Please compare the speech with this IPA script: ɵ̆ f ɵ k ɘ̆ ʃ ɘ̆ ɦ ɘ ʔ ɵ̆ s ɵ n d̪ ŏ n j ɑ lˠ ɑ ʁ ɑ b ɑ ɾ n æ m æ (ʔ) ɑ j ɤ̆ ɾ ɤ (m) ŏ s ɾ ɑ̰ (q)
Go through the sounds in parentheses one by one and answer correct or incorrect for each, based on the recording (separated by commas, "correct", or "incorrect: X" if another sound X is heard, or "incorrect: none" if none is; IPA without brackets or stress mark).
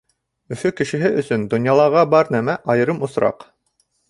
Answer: correct, correct, correct